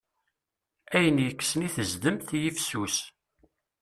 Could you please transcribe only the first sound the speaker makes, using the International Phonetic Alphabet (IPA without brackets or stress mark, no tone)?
æ